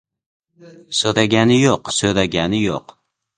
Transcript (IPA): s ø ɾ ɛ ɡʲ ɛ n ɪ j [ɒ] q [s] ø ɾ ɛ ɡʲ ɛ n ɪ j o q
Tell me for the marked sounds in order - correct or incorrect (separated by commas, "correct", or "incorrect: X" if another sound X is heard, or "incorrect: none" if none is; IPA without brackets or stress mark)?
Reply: incorrect: o, correct